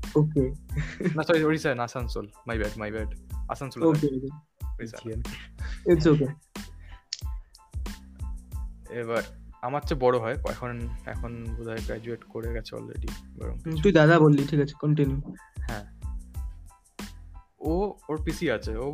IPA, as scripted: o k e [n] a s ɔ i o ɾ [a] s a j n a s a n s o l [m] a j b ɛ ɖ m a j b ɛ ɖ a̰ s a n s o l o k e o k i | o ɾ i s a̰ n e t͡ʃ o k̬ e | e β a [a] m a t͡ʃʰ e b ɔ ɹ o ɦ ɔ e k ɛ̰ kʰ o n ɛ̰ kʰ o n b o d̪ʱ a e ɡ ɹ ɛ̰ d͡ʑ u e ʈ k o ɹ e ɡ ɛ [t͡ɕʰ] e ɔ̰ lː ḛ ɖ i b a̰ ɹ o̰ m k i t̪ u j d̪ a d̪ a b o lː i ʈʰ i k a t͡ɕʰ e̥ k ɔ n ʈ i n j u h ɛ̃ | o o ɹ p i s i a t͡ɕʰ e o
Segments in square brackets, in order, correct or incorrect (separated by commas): correct, incorrect, correct, correct, correct